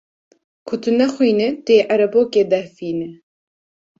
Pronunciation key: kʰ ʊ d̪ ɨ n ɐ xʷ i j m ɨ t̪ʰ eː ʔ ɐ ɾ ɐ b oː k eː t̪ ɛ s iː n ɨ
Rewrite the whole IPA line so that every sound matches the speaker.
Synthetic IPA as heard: kʰ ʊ t̪ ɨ n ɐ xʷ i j n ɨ t̪ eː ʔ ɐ ɾ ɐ b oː k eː d̪ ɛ f iː n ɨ